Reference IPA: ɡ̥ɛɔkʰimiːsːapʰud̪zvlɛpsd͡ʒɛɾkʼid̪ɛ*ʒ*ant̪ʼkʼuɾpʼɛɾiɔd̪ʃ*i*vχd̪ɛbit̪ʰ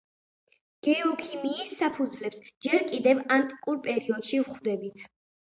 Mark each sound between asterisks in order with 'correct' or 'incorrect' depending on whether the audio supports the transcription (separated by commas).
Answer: incorrect, correct